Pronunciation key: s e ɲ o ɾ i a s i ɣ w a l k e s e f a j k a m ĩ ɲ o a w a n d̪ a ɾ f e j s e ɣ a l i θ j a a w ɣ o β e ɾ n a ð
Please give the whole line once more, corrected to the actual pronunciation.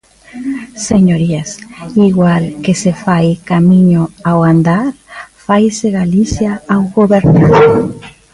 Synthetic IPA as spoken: s e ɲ o ɾ i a s i ɣ w a l k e s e f a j k a m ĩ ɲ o a w a n d̪ a ɾ f a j s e ɣ a l i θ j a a w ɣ o β e ɾ n a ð